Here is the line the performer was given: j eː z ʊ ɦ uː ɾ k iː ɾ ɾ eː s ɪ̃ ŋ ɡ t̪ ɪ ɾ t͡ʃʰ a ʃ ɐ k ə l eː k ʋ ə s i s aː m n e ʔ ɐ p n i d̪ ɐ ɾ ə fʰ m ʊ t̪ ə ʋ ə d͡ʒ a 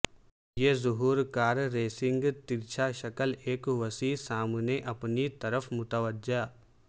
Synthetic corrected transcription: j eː z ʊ ɦ uː ɾ k aː ɾ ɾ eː s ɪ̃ ŋ ɡ t̪ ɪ ɾ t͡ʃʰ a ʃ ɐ k ə l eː k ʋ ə s i s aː m n e ʔ ɐ p n i t̪ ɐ ɾ ə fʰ m ʊ t̪ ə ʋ ə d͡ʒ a